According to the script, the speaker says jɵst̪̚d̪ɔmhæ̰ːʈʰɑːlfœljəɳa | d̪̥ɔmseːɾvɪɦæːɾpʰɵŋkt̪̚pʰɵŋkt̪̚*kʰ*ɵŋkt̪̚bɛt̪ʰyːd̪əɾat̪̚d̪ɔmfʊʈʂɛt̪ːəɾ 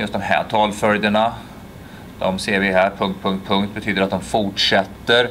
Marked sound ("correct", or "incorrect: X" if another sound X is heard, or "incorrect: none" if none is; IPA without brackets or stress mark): incorrect: pʰ